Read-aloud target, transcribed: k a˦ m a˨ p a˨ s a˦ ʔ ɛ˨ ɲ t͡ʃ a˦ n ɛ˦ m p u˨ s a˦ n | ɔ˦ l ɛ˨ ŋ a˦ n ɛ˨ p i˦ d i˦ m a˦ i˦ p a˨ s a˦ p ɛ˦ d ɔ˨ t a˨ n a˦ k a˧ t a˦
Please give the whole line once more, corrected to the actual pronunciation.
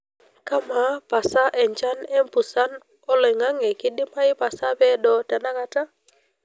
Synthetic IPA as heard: k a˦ m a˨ p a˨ s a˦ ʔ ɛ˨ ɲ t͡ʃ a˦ n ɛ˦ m p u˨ s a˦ n | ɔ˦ l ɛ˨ ŋ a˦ ŋ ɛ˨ k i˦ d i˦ m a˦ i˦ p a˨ s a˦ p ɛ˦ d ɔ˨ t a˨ n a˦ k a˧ t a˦